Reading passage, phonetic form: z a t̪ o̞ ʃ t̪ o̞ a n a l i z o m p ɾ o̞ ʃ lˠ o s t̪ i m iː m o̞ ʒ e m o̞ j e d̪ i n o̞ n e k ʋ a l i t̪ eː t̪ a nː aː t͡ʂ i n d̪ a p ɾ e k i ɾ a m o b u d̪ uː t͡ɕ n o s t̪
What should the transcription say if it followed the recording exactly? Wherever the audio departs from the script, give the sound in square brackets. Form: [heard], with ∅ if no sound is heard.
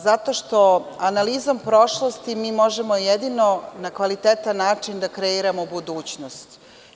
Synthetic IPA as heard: z a t̪ o̞ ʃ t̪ o̞ a n a l i z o m p ɾ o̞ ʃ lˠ o s t̪ i m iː m o̞ ʒ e m o̞ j e d̪ i n o̞ n [a] k ʋ a l i t̪ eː t̪ a nː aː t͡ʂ i n d̪ a [k] ɾ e [∅] i ɾ a m o b u d̪ uː t͡ɕ n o s t̪

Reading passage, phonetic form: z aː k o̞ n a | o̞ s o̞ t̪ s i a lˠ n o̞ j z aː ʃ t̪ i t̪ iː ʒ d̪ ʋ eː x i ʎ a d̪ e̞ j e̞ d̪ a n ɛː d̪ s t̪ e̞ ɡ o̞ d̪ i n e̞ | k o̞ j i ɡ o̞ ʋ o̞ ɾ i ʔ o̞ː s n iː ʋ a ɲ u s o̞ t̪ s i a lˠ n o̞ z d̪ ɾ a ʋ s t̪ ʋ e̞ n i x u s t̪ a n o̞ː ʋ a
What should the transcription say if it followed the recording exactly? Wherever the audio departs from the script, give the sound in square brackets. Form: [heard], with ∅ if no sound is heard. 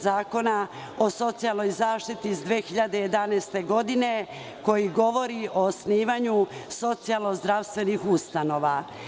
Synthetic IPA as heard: z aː k o̞ n a | o̞ s o̞ t̪ s i a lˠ n o̞ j z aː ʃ t̪ i t̪ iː [z] d̪ ʋ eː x i ʎ a d̪ e̞ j e̞ d̪ a n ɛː [∅] s t̪ e̞ ɡ o̞ d̪ i n e̞ | k o̞ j i ɡ o̞ ʋ o̞ ɾ i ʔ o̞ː s n iː ʋ a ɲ u s o̞ t̪ s i a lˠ n o̞ z d̪ ɾ a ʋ s t̪ ʋ e̞ n i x u s t̪ a n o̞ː ʋ a

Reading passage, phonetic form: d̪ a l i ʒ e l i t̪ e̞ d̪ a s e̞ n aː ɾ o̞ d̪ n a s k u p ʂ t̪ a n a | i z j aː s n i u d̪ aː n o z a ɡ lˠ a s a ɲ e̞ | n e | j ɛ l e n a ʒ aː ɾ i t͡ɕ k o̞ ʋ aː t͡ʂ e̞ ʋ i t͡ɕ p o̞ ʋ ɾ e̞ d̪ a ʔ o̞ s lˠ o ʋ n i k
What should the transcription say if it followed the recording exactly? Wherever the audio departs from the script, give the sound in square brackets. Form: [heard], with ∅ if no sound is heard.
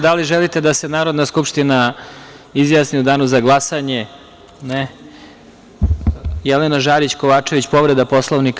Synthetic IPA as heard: d̪ a l i ʒ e l i t̪ e̞ d̪ a s e̞ n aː ɾ o̞ d̪ n a s k u p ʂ t̪ [i] n a | i z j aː s n i u d̪ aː n [u] z a ɡ lˠ a s a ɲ e̞ | n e | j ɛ l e n a ʒ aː ɾ i t͡ɕ k o̞ ʋ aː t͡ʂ e̞ ʋ i t͡ɕ p o̞ ʋ ɾ e̞ d̪ a [p] o̞ s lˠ o ʋ n i k

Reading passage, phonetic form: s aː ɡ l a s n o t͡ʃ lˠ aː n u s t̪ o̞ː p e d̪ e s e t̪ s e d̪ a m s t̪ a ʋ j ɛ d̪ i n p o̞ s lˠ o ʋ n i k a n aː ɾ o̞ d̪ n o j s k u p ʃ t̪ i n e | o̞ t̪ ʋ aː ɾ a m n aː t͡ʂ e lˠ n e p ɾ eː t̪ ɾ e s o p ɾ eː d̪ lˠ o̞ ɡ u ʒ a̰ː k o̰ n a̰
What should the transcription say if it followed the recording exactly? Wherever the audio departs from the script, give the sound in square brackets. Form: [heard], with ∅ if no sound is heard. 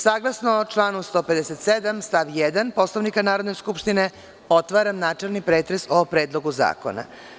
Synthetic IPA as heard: s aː ɡ l a s n o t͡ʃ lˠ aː n u s t̪ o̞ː p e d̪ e s e t̪ s e d̪ a m s t̪ a ʋ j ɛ d̪ [a] n p o̞ s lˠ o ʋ n i k a n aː ɾ o̞ d̪ n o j s k u p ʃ t̪ i n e | o̞ t̪ ʋ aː ɾ a m n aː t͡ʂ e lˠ n [i] p ɾ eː t̪ ɾ e s o p ɾ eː d̪ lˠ o̞ ɡ u [z] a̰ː k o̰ n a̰

